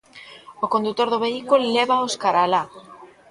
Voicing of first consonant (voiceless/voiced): voiceless